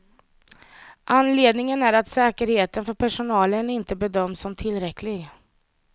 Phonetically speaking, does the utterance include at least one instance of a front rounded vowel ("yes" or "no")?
yes